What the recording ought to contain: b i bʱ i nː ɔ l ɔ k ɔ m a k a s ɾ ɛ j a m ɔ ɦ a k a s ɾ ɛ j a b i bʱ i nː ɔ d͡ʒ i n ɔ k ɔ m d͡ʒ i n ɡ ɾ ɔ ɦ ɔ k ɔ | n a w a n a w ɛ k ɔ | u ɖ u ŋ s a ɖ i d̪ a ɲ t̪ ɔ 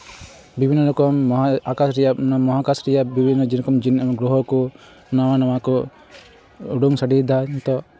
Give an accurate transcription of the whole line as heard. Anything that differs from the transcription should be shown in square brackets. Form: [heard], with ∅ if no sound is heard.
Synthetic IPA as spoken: b i bʱ i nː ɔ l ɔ k ɔ m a k a s ɾ ɛ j a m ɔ ɦ a k a s ɾ ɛ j a b i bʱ i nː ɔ d͡ʒ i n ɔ k ɔ m d͡ʒ i n ɡ ɾ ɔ ɦ ɔ k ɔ | n a w a n a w [a] k ɔ | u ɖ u ŋ s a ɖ i d̪ a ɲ t̪ ɔ

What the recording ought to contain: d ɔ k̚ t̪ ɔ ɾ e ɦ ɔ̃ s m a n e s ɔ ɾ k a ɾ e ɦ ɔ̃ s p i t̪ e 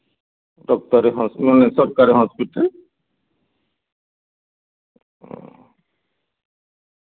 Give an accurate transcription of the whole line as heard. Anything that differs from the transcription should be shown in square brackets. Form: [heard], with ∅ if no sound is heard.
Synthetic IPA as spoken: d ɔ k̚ t̪ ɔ ɾ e ɦ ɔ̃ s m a n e s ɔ ɾ k a ɾ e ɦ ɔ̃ s p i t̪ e

